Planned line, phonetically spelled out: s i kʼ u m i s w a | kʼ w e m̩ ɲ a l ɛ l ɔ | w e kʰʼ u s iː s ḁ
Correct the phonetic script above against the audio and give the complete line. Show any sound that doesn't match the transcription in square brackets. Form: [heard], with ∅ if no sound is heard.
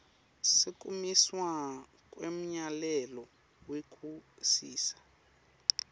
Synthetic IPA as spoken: s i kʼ u m i s w a | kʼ w e m̩ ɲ a l ɛ l ɔ | w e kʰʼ u s iː s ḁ